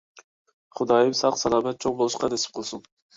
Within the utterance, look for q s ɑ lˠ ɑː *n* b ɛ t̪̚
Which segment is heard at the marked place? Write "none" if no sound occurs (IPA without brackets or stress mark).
none